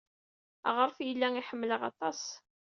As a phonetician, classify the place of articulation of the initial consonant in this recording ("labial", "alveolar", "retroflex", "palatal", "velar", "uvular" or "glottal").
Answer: uvular